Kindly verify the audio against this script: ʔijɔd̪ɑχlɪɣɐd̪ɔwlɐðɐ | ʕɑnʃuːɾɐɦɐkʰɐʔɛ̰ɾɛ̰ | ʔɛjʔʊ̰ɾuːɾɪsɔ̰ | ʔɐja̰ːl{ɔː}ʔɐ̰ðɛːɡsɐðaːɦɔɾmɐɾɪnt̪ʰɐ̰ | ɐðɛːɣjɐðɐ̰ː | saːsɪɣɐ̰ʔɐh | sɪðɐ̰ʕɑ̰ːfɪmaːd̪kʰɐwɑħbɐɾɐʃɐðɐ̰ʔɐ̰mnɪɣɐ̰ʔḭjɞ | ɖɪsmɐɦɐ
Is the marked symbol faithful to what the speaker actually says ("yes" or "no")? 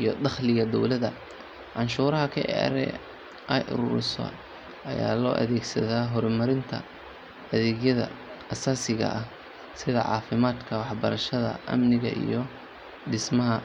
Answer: yes